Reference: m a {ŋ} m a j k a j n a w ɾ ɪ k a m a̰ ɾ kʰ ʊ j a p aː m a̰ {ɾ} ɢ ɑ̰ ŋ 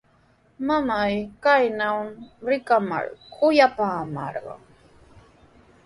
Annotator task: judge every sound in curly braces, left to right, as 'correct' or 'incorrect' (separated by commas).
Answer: incorrect, correct